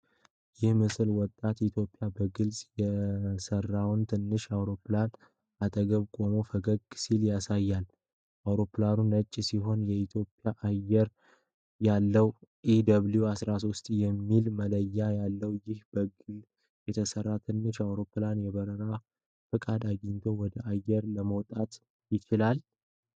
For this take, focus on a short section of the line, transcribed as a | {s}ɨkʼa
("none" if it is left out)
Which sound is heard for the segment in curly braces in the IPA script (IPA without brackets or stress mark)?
f